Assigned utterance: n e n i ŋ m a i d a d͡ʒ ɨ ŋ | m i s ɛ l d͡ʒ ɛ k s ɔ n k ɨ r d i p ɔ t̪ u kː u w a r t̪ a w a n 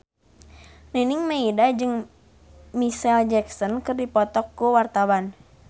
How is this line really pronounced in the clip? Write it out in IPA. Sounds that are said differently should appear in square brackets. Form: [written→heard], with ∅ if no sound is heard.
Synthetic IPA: n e n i ŋ m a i d a d͡ʒ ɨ ŋ | m i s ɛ l d͡ʒ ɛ k s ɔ n k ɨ r d i p ɔ t̪ [u→ɔ] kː u w a r t̪ a w a n